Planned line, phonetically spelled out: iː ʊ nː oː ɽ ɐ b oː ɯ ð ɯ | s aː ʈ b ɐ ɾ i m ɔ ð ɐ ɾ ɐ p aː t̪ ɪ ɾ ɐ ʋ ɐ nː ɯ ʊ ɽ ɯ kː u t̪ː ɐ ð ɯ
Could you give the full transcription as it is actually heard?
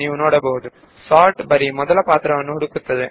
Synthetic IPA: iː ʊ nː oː ɽ ɐ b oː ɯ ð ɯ | s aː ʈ b ɐ ɾ i m ɔ ð ɐ l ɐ p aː t̪ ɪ ɾ ɐ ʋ ɐ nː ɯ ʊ ɽ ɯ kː ɯ t̪ː ɐ ð ɯ